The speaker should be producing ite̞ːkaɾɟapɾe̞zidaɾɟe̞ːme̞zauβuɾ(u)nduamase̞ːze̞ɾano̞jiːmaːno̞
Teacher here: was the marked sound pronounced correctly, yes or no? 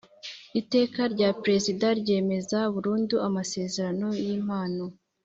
no